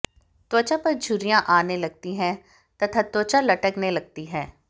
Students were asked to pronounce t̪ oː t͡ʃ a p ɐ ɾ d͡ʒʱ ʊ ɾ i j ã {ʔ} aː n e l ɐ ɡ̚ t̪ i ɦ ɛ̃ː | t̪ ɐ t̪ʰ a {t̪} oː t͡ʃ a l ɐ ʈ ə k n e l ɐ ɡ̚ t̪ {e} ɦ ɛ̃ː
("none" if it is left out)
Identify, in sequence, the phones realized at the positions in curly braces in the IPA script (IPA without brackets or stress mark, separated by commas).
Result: ʔ, t̪, i